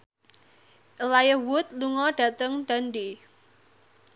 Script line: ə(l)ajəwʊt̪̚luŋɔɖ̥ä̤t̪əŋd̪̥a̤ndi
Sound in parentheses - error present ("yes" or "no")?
no